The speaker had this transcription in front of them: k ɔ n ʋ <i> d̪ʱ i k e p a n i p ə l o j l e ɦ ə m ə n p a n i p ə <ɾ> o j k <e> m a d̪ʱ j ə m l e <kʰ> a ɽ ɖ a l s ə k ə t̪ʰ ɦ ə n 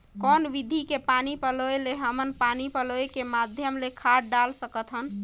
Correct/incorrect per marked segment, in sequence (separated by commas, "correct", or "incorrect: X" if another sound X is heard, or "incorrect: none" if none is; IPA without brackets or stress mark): correct, incorrect: l, correct, correct